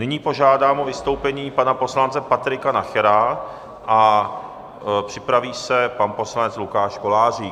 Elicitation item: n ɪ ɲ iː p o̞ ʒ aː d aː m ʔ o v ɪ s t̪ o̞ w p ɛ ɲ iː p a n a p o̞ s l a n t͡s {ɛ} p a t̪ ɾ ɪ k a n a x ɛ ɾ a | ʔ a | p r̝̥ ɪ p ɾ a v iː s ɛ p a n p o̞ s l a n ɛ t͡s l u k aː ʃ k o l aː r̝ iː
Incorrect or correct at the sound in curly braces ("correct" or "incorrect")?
correct